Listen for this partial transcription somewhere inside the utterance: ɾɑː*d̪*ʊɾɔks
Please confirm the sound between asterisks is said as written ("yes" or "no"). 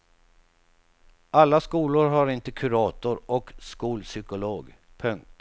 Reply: no